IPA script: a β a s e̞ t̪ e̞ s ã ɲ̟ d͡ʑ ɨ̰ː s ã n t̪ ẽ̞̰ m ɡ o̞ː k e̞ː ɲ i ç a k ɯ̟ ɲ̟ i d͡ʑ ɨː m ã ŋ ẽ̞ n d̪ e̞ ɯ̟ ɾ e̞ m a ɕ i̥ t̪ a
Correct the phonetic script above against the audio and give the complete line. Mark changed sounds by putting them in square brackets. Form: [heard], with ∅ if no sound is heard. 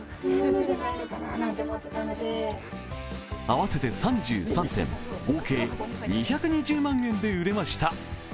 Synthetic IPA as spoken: a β a s e̞ t̪ e̞ s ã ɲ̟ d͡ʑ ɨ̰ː s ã n t̪ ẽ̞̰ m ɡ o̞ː k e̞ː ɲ i ç a k ɯ̟ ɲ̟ i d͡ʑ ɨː m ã ŋ ẽ̞ n d̪ e̞ ɯ̟ ɾ e̞ m a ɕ i̥ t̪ a